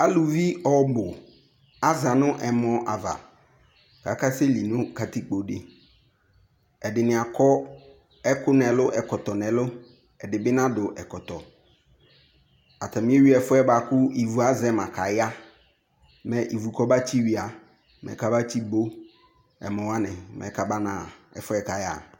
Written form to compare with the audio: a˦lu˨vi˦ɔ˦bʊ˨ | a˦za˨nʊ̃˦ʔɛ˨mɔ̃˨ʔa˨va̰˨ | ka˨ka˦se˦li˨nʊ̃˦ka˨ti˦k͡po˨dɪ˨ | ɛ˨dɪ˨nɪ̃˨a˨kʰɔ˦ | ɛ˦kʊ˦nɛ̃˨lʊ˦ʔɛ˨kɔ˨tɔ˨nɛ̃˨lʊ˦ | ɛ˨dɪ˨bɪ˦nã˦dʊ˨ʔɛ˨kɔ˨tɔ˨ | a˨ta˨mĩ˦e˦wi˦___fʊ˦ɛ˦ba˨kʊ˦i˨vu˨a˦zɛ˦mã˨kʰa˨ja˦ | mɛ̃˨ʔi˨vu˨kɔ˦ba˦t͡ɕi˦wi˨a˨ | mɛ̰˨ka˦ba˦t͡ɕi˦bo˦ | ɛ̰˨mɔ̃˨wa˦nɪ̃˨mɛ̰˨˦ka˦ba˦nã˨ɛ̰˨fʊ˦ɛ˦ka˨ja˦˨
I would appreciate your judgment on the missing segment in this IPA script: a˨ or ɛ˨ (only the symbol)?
ɛ˨